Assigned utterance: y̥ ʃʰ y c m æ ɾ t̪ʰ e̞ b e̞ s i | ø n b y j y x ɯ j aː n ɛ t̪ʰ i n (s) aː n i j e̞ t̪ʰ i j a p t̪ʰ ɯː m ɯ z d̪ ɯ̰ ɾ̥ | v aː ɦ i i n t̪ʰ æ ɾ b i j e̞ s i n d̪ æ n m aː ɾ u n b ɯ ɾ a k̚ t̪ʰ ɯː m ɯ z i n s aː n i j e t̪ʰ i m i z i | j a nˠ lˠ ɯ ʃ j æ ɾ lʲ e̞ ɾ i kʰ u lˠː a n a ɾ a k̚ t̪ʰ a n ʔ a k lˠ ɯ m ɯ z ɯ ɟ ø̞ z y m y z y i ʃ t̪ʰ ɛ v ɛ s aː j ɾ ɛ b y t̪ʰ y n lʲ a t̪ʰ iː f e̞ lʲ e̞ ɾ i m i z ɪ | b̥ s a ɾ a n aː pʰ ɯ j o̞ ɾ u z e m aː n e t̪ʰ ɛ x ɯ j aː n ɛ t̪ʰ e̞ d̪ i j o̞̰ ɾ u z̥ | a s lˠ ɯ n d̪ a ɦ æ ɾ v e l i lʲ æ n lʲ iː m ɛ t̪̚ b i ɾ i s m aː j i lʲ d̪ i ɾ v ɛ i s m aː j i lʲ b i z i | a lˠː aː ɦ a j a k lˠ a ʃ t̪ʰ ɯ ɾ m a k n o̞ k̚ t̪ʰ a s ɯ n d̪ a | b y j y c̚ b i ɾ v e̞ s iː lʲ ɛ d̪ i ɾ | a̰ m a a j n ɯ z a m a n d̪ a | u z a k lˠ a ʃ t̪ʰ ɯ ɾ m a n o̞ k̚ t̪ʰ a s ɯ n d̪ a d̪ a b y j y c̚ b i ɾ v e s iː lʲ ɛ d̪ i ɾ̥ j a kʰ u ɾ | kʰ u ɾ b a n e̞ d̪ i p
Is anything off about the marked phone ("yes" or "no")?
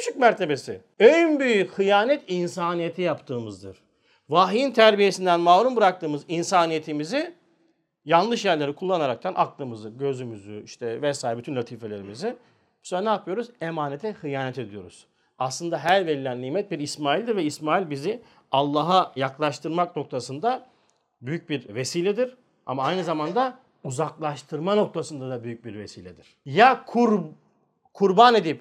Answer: no